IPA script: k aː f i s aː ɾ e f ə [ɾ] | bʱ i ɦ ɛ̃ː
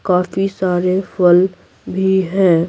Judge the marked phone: incorrect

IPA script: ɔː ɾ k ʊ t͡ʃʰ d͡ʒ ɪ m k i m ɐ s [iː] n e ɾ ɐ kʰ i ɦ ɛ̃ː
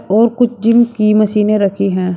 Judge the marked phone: correct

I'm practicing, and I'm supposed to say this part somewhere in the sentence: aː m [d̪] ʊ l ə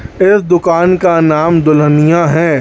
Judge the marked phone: correct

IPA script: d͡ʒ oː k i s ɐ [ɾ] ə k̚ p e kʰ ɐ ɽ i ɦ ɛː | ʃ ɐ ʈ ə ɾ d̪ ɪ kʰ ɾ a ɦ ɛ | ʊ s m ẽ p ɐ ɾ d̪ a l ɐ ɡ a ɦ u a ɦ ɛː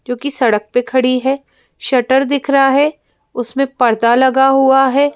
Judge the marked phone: incorrect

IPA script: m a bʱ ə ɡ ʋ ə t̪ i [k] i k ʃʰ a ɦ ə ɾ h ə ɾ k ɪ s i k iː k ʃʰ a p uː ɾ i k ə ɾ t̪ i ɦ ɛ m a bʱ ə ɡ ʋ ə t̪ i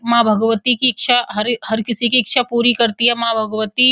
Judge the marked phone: correct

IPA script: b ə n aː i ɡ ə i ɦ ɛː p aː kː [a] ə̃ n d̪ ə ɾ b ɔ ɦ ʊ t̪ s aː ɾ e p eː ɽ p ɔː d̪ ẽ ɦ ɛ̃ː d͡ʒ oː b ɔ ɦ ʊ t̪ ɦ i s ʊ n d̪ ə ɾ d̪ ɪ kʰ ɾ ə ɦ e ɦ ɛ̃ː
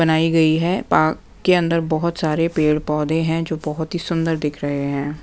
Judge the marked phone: incorrect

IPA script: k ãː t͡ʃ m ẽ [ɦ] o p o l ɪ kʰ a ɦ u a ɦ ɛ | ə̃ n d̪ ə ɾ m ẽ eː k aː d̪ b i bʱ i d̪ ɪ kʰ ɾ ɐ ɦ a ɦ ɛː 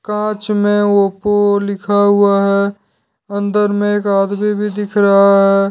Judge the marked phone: incorrect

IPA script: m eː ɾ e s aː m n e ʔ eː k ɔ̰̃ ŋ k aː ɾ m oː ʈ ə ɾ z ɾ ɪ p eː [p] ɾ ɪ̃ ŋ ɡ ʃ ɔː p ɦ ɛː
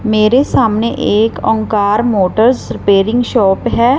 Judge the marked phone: incorrect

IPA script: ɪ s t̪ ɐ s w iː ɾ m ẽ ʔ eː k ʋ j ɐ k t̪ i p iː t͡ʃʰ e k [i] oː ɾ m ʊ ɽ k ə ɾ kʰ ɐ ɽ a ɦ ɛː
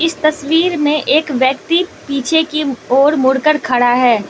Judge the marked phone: correct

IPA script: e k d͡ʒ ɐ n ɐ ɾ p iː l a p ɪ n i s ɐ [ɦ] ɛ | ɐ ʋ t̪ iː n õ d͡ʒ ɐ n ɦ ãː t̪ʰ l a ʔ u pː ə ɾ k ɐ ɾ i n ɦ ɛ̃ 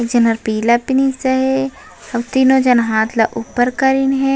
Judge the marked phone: correct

